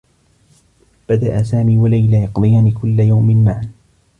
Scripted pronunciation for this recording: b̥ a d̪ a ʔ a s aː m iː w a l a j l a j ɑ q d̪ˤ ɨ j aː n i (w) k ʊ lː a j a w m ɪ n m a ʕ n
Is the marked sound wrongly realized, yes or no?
yes